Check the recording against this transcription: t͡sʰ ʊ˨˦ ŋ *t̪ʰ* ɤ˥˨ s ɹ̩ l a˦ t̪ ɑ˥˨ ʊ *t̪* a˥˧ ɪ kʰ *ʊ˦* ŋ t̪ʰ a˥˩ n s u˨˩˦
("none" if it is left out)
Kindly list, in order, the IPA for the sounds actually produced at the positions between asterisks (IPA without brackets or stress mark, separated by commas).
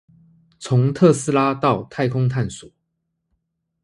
t̪ʰ, t̪ʰ, ʊ˦